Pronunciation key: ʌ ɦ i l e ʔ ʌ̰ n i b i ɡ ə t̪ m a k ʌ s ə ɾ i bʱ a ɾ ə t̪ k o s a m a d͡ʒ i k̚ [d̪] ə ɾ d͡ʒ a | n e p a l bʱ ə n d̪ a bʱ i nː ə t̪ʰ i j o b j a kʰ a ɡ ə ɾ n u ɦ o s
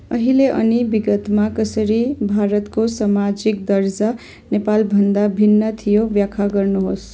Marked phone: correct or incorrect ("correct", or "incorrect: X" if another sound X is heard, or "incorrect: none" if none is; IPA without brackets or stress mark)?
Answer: correct